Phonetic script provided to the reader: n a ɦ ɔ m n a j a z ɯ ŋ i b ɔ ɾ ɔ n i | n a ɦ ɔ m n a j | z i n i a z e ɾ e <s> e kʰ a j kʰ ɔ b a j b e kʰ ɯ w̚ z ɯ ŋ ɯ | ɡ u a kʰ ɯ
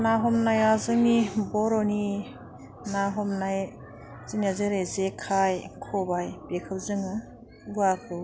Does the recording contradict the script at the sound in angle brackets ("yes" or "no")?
yes